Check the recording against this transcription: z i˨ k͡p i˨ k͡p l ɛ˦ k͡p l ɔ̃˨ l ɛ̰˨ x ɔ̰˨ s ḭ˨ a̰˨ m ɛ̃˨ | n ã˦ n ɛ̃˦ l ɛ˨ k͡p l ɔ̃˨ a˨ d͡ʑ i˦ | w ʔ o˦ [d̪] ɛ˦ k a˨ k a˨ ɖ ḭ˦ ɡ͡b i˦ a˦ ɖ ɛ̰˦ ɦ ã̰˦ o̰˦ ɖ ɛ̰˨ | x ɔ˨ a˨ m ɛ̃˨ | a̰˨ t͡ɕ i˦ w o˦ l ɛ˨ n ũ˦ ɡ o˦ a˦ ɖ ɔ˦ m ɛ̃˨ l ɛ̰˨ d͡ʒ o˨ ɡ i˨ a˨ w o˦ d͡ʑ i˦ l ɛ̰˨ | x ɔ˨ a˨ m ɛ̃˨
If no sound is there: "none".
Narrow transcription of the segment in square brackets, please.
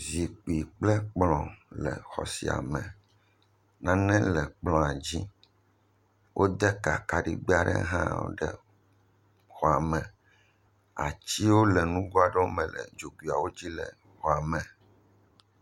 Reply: d̪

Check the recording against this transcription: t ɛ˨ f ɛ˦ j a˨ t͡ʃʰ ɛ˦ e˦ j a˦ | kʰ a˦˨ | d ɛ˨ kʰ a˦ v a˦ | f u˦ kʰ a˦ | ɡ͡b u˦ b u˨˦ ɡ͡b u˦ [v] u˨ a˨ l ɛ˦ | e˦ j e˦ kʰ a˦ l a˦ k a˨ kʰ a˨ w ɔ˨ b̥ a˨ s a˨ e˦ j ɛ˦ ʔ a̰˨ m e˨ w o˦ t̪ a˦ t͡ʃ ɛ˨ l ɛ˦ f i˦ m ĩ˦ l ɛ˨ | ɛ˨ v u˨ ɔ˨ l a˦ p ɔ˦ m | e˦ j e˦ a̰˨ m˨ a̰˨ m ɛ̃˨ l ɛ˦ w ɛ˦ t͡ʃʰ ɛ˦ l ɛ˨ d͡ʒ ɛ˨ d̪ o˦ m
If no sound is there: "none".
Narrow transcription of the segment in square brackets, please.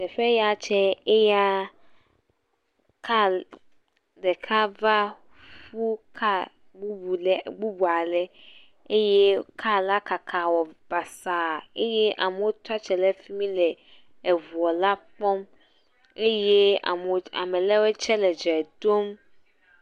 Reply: b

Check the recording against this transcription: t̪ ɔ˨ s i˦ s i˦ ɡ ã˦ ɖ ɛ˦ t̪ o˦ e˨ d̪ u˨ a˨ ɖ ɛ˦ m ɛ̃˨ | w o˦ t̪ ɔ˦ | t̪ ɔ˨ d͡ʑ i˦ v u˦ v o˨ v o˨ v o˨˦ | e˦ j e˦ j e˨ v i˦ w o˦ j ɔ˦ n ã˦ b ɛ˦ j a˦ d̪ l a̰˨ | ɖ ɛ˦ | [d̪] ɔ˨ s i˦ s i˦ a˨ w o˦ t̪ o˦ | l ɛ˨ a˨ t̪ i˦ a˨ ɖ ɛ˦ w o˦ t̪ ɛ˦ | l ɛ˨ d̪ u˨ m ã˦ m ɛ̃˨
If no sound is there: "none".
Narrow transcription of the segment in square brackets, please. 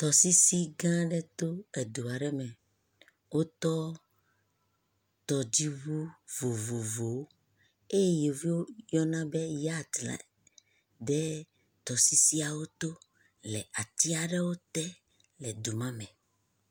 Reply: t̪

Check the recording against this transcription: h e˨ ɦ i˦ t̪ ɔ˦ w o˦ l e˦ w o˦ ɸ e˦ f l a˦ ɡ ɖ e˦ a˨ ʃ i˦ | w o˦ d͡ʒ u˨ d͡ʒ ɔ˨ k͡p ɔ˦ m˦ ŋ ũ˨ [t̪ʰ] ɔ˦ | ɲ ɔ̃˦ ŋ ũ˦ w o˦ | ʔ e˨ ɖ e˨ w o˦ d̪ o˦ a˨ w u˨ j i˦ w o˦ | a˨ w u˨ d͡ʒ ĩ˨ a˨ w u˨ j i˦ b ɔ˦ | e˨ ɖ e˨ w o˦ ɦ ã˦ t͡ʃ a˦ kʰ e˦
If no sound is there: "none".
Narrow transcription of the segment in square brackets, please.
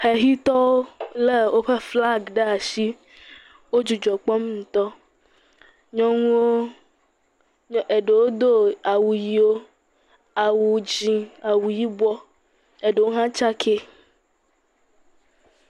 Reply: t̪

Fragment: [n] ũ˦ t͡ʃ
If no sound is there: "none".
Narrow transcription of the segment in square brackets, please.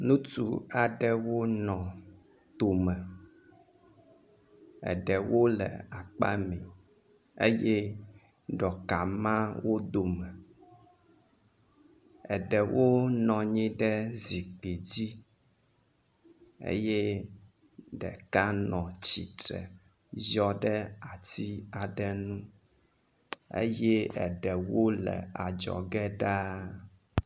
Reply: n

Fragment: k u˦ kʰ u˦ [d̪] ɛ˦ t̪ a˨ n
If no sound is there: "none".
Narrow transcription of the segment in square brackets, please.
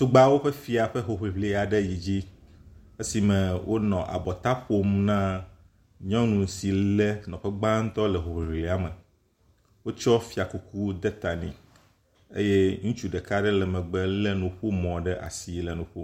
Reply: d̪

